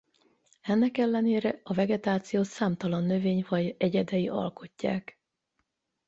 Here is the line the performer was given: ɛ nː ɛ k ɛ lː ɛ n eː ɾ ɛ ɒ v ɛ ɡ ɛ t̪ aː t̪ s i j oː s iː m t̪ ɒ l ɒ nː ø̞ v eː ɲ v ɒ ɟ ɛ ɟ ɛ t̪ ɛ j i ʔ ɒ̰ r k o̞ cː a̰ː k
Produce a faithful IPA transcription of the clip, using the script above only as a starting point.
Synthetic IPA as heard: ɛ nː ɛ k ɛ lː ɛ n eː ɾ ɛ ɒ v ɛ ɡ ɛ t̪ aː t̪ s i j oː s aː m t̪ ɒ l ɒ nː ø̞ v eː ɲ v ɒ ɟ ɛ ɟ ɛ d̪ ɛ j i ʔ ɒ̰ l k o̞ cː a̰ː k